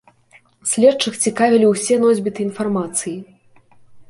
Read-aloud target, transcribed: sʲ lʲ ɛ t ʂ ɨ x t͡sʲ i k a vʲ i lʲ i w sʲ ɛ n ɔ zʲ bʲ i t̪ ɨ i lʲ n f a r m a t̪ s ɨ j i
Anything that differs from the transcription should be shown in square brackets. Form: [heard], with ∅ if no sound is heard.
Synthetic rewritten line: sʲ lʲ ɛ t [t͡ʂ] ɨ x t͡sʲ i k a vʲ i lʲ i w sʲ ɛ n ɔ zʲ bʲ i t̪ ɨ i [∅] n f a r m a t̪ s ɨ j i